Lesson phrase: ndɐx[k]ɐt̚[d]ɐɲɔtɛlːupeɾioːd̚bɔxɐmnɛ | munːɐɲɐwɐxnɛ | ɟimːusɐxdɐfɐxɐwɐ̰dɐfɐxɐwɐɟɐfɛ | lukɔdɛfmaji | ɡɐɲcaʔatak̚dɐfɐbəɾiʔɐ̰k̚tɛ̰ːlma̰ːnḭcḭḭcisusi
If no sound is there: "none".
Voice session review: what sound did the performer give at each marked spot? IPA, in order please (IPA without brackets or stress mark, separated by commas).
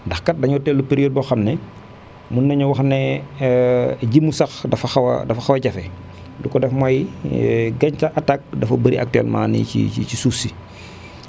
k, d